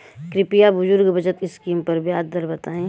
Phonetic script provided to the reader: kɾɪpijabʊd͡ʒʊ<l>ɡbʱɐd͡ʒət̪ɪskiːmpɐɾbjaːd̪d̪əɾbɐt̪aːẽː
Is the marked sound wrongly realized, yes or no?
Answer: yes